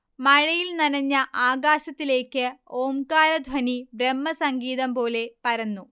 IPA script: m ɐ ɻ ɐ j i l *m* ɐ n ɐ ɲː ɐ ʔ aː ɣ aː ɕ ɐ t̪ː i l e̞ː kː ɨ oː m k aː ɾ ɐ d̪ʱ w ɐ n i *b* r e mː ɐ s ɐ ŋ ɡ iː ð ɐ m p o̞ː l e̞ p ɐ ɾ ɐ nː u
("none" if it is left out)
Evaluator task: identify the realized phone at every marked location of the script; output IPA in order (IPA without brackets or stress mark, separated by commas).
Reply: n, b